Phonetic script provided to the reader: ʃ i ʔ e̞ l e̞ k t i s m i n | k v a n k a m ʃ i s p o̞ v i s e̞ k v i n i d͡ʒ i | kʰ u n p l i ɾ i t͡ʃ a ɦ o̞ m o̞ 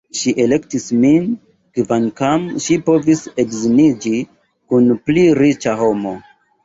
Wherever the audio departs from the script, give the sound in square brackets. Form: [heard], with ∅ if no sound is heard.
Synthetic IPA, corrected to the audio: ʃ i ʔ e̞ l e̞ k t i s m i n | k v a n k a m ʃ i [∅] p o̞ v i s e̞ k [z] i n i d͡ʒ i | [k] u n p l i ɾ i t͡ʃ a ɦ o̞ m o̞